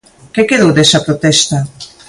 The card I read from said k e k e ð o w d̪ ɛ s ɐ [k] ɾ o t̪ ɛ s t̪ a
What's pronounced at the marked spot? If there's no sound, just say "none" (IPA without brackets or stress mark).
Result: p